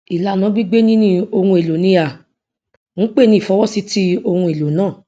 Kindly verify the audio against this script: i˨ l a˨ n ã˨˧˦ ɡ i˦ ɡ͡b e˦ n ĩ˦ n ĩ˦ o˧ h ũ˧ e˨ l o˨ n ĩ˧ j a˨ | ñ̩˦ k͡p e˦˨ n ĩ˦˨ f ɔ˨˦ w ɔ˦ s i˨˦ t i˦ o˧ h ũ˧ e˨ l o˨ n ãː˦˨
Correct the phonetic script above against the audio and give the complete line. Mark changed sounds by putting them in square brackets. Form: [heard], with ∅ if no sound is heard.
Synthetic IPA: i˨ l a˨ n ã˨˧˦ [ɡ͡b] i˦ ɡ͡b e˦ n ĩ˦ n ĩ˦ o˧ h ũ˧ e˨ l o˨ n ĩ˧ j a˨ | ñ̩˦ k͡p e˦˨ n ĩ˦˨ f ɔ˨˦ w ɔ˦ s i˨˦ t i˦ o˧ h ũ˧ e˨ l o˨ n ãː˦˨